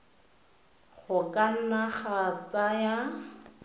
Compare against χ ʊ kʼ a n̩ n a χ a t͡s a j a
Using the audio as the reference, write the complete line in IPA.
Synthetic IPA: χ ʊ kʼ a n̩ n a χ a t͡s a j a